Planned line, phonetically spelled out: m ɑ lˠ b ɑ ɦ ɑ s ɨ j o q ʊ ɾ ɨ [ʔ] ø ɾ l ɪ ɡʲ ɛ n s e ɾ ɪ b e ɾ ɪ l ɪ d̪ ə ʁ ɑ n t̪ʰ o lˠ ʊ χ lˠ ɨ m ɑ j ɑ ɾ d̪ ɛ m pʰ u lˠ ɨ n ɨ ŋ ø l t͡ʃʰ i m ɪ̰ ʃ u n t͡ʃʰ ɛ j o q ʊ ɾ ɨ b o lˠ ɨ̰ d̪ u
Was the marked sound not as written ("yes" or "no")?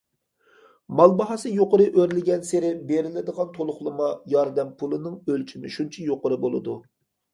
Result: no